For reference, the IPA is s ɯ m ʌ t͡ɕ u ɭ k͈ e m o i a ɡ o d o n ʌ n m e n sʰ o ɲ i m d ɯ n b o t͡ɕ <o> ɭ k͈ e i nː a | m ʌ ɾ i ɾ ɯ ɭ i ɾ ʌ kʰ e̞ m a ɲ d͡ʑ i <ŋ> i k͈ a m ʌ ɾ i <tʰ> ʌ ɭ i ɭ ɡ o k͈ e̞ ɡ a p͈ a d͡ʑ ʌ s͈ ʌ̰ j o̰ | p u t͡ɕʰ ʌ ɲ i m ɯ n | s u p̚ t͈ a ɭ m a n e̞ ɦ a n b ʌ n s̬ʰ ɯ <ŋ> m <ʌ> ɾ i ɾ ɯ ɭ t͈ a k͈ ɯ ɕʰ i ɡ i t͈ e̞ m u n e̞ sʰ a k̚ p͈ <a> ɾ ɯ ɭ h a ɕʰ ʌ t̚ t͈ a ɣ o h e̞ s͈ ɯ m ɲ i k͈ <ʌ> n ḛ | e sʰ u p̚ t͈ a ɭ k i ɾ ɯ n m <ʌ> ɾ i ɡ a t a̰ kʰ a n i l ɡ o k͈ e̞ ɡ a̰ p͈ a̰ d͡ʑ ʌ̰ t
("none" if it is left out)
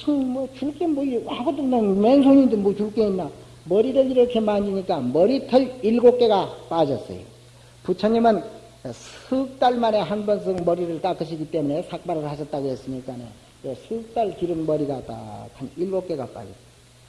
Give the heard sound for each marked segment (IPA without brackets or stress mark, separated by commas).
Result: u, ɲ, tʰ, ŋ, ʌ, a, a, ʌ